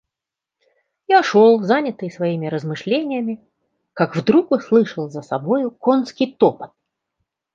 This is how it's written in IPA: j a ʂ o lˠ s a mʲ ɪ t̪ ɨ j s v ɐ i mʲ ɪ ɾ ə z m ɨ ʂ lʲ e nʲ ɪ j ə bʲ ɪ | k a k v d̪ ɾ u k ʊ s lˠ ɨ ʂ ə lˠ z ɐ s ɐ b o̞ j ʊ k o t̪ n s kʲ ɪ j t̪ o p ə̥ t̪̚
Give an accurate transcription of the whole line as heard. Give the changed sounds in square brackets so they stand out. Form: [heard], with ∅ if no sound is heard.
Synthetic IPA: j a ʂ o lˠ [z] a [nʲ] ɪ t̪ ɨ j s v ɐ i mʲ ɪ ɾ ə z m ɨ ʂ lʲ e nʲ ɪ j ə [mʲ] ɪ | k a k v d̪ ɾ u k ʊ s lˠ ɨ ʂ ə lˠ z [ə] s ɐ b o̞ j ʊ k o [∅] n s kʲ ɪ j t̪ o p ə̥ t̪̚